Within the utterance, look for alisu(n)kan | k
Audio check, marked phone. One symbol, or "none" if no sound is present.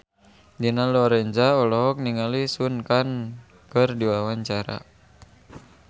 n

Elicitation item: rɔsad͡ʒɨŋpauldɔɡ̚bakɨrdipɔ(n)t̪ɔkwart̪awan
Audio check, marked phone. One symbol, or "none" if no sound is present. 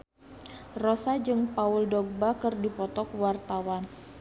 none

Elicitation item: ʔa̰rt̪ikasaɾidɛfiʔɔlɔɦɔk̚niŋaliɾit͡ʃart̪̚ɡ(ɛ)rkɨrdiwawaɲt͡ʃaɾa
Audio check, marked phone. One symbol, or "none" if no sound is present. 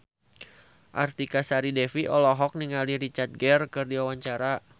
ɛ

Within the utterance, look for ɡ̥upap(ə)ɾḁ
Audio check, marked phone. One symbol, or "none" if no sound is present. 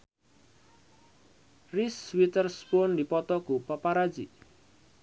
a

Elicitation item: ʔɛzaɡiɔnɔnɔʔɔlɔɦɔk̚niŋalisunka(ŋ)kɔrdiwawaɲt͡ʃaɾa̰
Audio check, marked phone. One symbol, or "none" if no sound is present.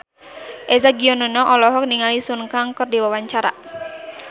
ŋ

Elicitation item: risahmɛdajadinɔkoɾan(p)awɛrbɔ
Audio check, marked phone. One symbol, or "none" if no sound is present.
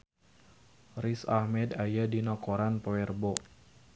p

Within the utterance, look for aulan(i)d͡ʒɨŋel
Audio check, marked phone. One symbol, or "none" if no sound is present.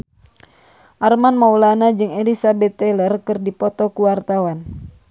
a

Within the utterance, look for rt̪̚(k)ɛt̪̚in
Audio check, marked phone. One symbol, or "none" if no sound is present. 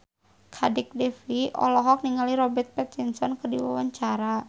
p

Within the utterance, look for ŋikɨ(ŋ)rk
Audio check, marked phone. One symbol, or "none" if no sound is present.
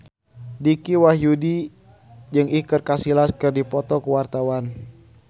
none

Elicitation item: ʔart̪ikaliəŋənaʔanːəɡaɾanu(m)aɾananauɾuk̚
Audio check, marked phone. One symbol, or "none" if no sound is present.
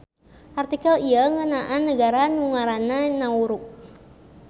ŋ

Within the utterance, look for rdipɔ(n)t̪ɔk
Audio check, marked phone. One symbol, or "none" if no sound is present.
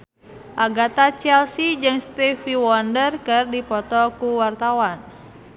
none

